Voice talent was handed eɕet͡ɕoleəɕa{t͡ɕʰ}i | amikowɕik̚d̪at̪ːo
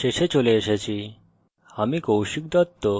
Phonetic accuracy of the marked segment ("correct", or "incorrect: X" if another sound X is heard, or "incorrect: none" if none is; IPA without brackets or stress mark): incorrect: t͡ɕ